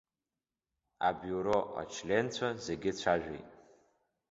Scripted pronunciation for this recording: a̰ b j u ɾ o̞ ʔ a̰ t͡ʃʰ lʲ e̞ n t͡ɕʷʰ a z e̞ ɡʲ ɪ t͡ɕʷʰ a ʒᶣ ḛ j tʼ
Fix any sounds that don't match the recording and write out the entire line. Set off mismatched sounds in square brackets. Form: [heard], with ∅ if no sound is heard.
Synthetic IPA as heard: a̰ b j u ɾ o̞ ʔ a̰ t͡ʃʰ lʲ e̞ n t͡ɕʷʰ a z e̞ ɡʲ ɪ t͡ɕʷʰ a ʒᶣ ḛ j tʼ